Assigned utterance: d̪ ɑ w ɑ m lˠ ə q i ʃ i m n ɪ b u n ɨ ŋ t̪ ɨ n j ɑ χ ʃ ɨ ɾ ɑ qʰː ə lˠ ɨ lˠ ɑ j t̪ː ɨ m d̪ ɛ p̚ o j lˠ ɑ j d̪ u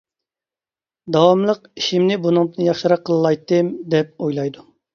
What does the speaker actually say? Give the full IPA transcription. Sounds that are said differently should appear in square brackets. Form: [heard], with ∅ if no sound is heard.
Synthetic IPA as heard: d̪ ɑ w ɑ m lˠ ə q i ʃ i m n ɪ b u n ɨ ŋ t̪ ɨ n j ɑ χ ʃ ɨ ɾ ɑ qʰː ə lˠ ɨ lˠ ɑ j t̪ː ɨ m d̪ ɛ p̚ o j lˠ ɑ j d̪ u